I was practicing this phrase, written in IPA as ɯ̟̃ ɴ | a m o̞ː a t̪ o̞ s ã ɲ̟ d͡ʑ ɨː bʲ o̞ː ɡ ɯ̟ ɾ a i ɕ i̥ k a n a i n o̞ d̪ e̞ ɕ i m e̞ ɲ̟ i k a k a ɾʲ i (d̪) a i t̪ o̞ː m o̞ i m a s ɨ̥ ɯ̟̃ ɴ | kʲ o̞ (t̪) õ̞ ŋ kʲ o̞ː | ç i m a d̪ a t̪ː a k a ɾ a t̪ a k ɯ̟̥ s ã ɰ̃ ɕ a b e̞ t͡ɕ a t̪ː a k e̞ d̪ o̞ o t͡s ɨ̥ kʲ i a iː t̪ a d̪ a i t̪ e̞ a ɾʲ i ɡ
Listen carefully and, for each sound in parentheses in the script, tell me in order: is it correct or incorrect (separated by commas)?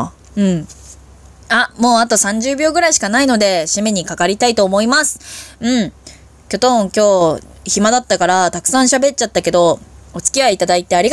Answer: incorrect, correct